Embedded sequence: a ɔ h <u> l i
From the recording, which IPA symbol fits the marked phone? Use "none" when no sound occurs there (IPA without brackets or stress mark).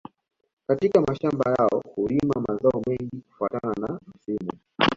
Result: u